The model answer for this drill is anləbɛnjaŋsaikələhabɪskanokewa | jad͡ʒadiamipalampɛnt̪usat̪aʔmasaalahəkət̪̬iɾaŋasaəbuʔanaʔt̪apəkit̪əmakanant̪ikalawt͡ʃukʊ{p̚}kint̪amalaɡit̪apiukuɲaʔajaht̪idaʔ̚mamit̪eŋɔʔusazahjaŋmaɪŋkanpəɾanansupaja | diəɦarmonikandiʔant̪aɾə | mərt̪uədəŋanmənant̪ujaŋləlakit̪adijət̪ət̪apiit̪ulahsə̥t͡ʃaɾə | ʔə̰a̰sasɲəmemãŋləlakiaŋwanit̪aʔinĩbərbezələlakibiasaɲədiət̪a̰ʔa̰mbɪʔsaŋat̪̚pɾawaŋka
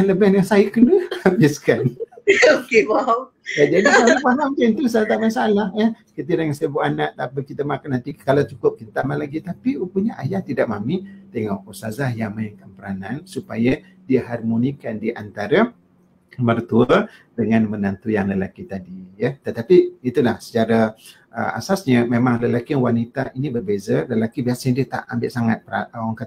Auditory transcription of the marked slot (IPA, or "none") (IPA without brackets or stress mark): p̚